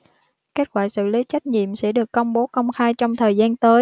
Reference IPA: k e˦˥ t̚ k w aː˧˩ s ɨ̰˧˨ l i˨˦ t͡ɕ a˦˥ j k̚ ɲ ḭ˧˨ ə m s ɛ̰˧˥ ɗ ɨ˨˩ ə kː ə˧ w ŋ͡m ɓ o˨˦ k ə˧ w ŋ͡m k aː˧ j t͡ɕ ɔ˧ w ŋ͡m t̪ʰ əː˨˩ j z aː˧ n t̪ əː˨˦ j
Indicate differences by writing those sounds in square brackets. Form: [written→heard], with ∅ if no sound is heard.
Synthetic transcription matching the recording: k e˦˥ t̚ k w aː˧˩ s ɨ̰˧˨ l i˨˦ t͡ɕ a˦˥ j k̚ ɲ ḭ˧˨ ə m s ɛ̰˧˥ ɗ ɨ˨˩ ə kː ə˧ w ŋ͡m ɓ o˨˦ k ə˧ w ŋ͡m [k→x] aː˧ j t͡ɕ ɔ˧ w ŋ͡m t̪ʰ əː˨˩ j z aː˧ n t̪ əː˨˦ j